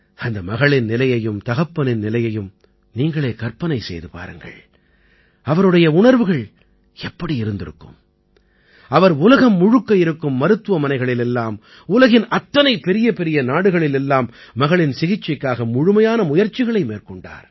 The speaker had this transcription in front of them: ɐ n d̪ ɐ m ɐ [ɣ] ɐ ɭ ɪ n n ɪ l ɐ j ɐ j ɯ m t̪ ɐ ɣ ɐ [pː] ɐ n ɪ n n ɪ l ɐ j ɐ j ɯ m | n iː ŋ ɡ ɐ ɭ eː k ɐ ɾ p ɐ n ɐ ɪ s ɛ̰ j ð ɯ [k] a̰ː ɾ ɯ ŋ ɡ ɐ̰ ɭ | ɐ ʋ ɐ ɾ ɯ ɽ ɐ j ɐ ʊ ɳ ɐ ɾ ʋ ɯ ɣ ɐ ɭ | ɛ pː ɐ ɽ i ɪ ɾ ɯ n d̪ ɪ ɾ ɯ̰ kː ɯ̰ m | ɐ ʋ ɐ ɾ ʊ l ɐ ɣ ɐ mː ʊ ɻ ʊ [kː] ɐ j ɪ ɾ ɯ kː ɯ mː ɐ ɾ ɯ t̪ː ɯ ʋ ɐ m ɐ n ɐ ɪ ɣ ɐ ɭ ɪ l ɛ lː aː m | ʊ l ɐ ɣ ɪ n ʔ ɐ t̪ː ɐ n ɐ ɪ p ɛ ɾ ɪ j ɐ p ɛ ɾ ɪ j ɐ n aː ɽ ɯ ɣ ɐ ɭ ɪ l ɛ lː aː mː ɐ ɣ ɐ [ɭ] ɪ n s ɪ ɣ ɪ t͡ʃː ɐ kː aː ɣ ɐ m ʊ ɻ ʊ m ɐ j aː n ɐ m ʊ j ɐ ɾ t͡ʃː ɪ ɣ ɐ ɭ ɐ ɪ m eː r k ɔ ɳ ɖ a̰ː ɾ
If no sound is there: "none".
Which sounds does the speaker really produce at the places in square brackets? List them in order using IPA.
ɣ, pː, p, kː, ɭ

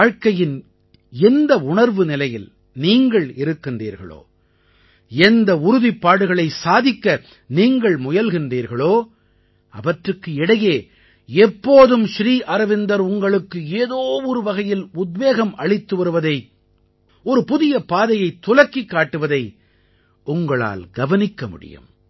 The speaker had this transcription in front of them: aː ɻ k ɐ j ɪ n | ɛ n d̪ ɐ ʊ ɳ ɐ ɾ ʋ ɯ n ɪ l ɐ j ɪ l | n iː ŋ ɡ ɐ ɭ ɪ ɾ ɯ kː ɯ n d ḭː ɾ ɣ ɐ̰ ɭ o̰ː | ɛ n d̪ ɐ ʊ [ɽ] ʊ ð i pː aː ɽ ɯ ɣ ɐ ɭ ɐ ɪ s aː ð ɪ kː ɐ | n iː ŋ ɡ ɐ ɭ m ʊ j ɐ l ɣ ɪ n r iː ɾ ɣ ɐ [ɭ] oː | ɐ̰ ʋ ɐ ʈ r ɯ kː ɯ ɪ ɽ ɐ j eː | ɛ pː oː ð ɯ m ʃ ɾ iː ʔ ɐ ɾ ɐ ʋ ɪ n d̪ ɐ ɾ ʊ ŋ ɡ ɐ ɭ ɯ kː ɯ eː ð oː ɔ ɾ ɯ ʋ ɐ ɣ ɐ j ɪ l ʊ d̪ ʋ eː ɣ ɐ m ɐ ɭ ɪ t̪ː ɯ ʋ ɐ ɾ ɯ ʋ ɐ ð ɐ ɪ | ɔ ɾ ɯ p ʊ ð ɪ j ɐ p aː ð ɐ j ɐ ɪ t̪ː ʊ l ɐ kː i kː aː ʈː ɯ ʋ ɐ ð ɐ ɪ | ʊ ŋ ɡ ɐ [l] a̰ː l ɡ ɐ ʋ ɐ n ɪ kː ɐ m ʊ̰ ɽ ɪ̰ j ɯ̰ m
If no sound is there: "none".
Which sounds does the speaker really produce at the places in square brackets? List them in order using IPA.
ɾ, ɭ, ɭ

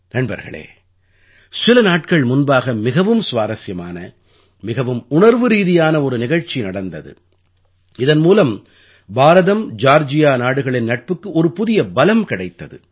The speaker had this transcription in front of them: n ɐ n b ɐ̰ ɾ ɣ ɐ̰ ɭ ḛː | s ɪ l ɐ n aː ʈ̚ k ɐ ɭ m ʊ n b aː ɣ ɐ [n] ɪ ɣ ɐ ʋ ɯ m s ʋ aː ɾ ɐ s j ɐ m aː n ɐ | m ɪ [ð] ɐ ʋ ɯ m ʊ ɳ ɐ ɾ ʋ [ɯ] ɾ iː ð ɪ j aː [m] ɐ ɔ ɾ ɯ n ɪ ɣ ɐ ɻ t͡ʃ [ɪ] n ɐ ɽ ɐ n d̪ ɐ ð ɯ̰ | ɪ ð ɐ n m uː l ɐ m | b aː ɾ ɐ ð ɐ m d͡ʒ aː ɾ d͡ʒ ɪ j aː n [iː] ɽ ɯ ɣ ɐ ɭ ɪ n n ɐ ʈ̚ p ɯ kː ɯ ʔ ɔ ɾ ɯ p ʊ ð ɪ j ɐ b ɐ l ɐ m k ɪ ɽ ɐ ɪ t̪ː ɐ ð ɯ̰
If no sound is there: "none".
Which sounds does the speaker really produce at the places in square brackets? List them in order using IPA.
m, ɣ, ɯ, n, i, aː

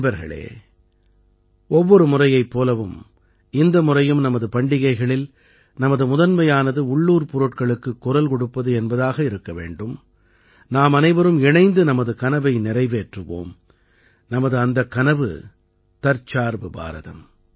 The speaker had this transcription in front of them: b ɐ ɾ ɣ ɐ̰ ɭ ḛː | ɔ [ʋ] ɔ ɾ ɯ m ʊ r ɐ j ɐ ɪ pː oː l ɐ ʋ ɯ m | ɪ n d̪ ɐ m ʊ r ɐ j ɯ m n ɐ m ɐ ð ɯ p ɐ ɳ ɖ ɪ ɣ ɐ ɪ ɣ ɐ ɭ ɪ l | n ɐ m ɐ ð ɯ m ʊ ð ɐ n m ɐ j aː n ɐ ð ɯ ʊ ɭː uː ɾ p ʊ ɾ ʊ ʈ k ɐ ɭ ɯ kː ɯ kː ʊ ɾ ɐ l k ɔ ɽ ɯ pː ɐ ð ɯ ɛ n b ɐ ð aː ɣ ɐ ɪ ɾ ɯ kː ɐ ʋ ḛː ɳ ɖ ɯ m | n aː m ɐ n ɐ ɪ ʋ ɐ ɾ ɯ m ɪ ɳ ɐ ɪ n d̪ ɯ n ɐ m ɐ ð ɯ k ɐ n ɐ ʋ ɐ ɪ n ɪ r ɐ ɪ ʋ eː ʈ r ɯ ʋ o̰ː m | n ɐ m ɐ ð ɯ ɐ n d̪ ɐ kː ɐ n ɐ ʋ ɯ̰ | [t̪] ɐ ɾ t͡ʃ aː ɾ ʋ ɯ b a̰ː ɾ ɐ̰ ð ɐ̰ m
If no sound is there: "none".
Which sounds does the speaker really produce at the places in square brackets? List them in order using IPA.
ʋː, t̪

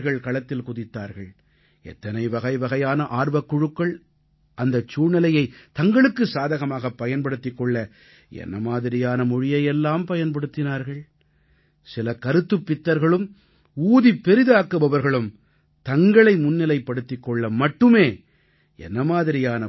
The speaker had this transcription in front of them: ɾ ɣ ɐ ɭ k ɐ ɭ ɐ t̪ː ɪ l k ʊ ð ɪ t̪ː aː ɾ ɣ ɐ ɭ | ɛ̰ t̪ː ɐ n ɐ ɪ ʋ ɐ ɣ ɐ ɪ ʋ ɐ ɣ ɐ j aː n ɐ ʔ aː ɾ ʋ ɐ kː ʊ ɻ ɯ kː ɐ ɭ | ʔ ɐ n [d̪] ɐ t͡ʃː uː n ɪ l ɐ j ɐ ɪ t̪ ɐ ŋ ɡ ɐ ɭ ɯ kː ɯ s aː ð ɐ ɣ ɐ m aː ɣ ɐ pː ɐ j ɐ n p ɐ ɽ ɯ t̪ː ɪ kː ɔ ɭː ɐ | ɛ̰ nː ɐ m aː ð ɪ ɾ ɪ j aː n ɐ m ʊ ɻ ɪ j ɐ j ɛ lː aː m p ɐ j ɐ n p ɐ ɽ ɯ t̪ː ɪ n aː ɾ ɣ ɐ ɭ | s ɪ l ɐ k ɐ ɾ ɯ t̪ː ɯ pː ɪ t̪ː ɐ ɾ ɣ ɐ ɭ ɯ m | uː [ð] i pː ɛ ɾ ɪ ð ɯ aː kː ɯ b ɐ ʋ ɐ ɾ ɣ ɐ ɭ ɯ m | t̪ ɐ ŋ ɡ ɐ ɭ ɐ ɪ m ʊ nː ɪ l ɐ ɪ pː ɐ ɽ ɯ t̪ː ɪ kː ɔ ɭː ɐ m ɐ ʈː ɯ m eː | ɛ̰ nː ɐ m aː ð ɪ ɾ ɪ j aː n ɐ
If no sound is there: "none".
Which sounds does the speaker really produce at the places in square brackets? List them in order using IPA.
d̪, ð

